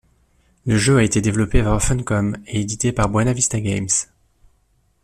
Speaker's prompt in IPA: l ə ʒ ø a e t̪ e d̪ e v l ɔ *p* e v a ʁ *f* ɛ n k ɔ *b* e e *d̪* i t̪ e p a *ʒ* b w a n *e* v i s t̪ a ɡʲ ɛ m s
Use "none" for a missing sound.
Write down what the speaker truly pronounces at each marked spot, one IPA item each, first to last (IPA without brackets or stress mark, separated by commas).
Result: p, f, m, d̪, ʁ, a